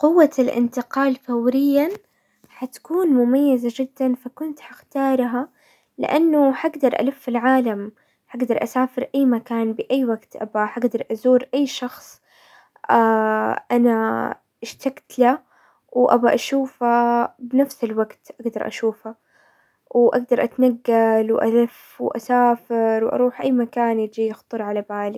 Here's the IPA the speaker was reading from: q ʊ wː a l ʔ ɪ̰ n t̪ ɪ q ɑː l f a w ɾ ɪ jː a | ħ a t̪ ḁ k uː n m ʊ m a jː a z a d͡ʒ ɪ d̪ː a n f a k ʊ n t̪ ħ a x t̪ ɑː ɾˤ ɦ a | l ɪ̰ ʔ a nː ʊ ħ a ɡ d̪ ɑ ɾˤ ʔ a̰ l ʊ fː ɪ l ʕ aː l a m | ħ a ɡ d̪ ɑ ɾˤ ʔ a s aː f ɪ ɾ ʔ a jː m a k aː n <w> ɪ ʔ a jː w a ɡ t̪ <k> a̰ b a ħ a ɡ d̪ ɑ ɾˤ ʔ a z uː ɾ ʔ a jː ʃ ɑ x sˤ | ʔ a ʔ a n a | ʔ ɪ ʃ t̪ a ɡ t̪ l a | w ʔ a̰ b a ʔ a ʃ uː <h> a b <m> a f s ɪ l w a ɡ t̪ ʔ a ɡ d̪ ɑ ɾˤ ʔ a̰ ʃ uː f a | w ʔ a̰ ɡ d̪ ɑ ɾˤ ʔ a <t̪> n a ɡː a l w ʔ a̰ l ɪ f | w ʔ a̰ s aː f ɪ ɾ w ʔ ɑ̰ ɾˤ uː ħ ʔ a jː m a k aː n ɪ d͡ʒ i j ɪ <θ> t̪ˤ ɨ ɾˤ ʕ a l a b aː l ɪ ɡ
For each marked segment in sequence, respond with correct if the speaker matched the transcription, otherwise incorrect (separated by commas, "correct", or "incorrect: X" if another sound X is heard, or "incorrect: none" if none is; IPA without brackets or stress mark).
incorrect: b, incorrect: ʔ, incorrect: f, incorrect: n, correct, incorrect: x